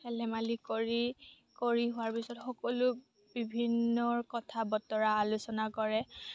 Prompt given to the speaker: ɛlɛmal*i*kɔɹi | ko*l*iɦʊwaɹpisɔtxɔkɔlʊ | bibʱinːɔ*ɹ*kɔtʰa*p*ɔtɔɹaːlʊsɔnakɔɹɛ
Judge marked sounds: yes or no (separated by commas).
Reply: yes, no, yes, no